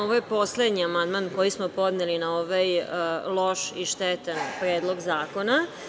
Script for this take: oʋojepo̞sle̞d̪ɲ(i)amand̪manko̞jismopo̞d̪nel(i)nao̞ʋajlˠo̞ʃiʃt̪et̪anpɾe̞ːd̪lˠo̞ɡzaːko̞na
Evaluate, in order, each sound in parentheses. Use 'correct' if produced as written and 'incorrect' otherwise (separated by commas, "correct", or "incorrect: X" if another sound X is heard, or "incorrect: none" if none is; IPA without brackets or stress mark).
correct, correct